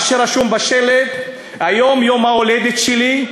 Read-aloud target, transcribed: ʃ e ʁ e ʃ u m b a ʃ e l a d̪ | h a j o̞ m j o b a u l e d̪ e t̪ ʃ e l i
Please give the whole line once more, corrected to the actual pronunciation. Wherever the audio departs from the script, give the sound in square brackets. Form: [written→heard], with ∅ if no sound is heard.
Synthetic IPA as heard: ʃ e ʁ [e→a] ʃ u m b a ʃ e l [a→e] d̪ | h a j o̞ m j o [b→m] a [u→o] l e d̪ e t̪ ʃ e l i